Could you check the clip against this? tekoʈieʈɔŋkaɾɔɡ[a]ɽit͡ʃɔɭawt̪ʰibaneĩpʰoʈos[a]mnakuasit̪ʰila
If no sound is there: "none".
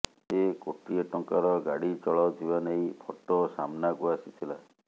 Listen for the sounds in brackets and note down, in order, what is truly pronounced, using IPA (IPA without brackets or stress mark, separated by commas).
a, a